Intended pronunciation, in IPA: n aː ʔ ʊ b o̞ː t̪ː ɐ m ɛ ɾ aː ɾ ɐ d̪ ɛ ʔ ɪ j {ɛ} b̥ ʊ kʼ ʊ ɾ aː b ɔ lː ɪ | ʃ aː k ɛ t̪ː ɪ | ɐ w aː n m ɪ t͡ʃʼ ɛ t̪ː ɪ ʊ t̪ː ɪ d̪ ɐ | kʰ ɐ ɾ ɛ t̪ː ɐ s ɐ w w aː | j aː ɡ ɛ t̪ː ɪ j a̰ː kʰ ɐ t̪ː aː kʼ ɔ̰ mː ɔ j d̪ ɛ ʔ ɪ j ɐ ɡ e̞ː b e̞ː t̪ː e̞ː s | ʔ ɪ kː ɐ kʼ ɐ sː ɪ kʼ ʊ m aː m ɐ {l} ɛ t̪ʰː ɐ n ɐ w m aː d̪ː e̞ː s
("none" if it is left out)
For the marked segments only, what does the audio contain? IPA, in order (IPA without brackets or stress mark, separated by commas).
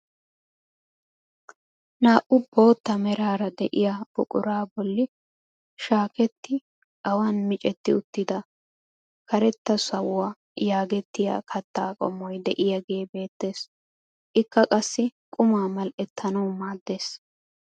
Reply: a, l